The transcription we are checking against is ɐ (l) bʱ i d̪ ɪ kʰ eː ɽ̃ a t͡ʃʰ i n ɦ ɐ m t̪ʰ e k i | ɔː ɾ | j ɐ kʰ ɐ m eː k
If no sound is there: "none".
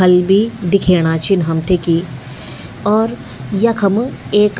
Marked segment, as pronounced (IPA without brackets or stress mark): l